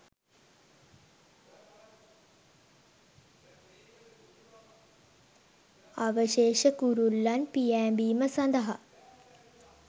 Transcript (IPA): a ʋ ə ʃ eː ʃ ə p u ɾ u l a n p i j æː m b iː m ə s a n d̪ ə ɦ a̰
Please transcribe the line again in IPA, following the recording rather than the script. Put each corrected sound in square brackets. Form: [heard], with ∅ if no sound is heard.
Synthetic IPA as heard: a ʋ ə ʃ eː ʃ ə [k] u ɾ u [lː] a n p i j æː m b iː m ə s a n d̪ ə ɦ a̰

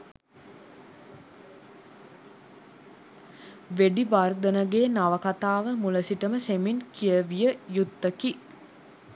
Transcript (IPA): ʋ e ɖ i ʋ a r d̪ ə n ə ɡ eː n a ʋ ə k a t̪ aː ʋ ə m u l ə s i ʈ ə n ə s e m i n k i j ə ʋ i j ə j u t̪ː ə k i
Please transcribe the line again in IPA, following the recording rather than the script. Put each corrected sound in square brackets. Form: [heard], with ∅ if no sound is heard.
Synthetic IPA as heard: ʋ e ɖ i ʋ a r d̪ ə n ə ɡ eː n a ʋ ə k a t̪ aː ʋ ə m u l ə s i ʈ ə [m] ə s e m i n k i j ə ʋ i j ə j u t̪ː ə k i

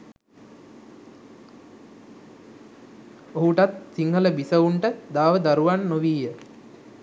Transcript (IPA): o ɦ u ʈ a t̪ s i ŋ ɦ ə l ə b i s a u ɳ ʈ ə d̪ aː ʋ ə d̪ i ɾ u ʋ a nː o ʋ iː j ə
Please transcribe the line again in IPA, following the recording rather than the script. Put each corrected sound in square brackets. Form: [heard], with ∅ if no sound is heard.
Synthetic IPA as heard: o ɦ u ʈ a t̪ s i ŋ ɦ ə l ə b i s [ə] u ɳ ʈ ə d̪ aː ʋ ə d̪ [a] ɾ u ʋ a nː o ʋ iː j ə

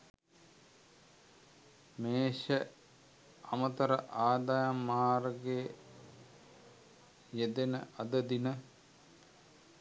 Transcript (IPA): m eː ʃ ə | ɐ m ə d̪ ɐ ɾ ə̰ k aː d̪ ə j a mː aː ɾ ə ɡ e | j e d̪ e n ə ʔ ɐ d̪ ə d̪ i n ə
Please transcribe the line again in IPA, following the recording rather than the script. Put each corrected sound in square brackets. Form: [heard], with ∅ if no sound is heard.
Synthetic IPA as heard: m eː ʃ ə | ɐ m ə [t̪] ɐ ɾ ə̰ [ʔ] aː d̪ [a] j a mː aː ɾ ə ɡ e | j e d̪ e n ə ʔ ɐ d̪ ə d̪ i n ə

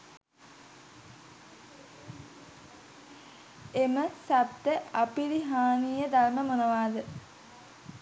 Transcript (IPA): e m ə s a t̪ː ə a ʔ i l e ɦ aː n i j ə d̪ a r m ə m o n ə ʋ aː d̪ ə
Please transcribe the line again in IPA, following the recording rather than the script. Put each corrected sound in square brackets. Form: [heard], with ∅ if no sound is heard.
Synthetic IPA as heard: e m ə s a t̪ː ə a [p] i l [i] ɦ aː n i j ə d̪ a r m ə m o n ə ʋ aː d̪ ə

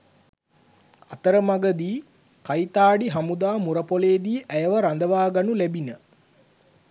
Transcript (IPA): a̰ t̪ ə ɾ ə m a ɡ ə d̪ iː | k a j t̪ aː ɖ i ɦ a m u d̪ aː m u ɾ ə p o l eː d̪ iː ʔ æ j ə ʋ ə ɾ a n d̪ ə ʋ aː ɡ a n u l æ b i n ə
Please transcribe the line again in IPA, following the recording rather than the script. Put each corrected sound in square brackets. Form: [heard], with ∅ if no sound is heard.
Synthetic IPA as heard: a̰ t̪ ə ɾ ə m a ɡ ə d̪ iː | k a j t̪ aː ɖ i ɦ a m u d̪ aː m u ɾ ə p o l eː d̪ iː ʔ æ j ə ʋ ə ɾ a n d̪ ə ʋ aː ɡ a n u l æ b i n ə

